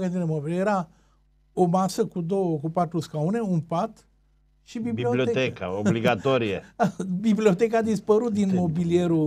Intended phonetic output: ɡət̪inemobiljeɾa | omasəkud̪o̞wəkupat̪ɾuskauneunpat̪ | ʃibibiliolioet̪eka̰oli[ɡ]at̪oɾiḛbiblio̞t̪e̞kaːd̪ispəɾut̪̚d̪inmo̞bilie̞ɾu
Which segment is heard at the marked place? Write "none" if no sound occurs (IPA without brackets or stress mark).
ɡ